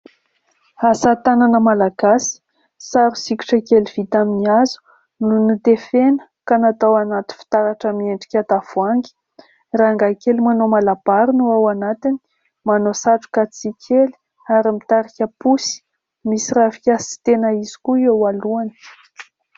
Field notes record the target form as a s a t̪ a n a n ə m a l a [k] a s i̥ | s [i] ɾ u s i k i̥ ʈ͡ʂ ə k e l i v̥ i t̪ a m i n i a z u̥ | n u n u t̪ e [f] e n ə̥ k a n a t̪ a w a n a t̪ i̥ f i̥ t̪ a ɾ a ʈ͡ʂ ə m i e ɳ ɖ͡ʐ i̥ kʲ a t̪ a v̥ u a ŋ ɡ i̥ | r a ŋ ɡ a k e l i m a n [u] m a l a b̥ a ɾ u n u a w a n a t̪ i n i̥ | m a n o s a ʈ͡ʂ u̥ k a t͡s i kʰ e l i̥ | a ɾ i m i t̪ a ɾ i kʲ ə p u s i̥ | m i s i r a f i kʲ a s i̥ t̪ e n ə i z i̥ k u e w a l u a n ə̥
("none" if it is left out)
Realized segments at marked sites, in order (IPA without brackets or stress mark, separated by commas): ɡ, a, f, o